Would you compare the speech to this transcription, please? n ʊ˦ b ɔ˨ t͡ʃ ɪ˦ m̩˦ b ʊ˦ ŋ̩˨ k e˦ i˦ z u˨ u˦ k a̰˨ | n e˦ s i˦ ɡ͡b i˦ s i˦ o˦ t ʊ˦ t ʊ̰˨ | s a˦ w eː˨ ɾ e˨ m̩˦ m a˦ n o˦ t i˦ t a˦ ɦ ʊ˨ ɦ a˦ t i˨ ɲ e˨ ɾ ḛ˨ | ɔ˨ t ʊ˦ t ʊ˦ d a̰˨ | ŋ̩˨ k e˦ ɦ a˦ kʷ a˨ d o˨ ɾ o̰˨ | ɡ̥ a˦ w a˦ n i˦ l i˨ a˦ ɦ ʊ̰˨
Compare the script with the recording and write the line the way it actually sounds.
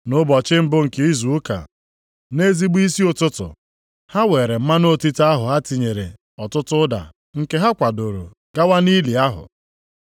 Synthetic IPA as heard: n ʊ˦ b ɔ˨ t͡ʃ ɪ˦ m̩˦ b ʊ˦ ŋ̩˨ k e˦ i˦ z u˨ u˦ k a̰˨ | n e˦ z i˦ ɡ͡b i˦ s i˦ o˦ t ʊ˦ t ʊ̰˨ | h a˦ w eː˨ ɾ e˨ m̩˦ m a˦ n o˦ t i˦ t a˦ ɦ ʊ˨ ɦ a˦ t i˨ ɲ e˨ ɾ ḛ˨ | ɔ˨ t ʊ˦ t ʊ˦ d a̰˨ | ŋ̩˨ k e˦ ɦ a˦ kʷ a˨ d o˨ ɾ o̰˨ | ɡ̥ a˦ w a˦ n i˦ l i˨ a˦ ɦ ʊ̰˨